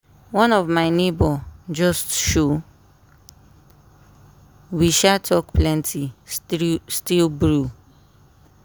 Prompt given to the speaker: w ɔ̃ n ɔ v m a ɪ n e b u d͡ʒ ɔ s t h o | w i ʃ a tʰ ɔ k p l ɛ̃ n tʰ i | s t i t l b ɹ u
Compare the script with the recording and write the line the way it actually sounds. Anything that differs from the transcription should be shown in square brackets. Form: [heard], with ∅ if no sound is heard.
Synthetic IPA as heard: w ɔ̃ n ɔ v m a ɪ n e b [ɔ] d͡ʒ ɔ s t [ʃ] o | w i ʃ a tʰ ɔ k p l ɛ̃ n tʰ i | s t i [∅] l b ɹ u